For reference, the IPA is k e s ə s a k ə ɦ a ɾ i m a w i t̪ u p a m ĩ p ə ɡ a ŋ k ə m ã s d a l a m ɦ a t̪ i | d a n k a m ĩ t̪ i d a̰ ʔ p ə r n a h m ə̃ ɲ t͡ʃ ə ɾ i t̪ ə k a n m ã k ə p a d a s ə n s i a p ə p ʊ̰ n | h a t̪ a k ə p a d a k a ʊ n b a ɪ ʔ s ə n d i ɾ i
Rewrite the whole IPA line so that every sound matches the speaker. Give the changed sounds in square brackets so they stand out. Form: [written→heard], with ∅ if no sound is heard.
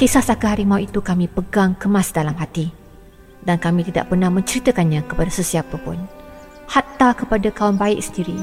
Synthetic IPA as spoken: k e s [ə→a] s a k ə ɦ a ɾ i m a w i t̪ u [p→k] a m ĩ p ə ɡ a ŋ k ə m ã s d a l a m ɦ a t̪ i | d a n k a m ĩ t̪ i d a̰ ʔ p ə r n a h m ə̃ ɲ t͡ʃ ə ɾ i t̪ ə k a n [m→ɲ] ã k ə p a d a s ə [n→∅] s i a p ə p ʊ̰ n | h a t̪ a k ə p a d a k a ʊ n b a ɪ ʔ s ə n d i ɾ i